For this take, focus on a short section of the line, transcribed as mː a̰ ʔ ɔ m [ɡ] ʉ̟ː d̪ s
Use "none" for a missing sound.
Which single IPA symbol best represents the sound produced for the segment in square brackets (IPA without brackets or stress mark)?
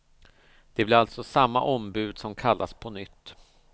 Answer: b